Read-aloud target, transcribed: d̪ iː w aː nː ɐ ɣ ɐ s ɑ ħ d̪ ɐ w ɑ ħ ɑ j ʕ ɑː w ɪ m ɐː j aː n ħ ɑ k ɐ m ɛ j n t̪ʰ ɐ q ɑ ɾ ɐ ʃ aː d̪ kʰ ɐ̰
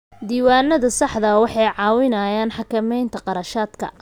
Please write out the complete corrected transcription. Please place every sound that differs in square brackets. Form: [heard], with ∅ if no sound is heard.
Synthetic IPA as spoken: d̪ iː w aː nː ɐ [ð] ɐ s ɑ ħ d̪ ɐ w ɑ ħ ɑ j ʕ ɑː w ɪ [n] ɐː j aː n ħ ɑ k ɐ m ɛ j n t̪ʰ ɐ q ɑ ɾ ɐ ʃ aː d̪ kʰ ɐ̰